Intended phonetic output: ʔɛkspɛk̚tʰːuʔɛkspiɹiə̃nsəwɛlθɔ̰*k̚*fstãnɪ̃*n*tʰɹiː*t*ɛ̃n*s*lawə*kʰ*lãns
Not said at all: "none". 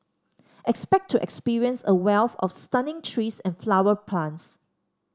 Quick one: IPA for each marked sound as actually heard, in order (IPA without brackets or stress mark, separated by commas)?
none, ŋ, s, f, pʰ